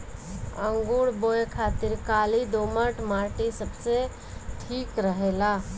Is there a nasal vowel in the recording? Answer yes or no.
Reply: no